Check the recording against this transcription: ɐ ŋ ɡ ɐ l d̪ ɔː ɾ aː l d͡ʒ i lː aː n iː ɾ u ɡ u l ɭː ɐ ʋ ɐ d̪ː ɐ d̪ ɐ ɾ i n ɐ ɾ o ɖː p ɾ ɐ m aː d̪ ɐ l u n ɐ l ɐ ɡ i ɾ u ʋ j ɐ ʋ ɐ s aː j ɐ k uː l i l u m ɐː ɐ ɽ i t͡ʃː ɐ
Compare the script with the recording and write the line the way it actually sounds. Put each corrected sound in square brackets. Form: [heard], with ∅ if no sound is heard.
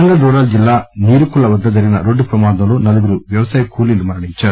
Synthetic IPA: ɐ ŋ ɡ ɐ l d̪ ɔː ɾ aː l d͡ʒ i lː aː n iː ɾ u [k] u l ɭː ɐ ʋ ɐ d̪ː ɐ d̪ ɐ ɾ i n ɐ ɾ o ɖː p ɾ ɐ m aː d̪ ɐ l u n ɐ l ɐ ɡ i ɾ u ʋ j ɐ ʋ ɐ s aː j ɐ k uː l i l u m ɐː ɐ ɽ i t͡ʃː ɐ